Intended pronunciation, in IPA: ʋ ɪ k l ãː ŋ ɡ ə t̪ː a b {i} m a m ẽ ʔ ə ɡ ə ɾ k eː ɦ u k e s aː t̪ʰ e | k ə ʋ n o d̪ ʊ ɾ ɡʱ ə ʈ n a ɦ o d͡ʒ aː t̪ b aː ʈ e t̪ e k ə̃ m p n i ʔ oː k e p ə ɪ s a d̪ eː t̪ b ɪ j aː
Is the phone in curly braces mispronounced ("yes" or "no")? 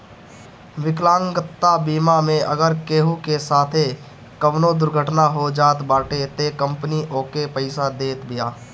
yes